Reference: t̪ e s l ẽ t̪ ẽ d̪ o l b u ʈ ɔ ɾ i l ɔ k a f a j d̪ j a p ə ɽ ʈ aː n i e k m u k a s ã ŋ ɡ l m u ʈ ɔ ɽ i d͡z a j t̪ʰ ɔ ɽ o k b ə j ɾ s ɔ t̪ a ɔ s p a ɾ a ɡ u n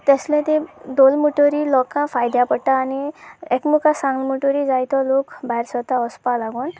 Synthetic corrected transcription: t̪ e s l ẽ t̪ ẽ d̪ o l m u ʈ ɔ ɾ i l ɔ k a f a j d̪ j a p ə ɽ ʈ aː n i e k m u k a s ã ŋ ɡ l m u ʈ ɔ ɾ i d͡z a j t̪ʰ ɔ l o k b a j ɾ s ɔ t̪ a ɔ s p a l a ɡ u n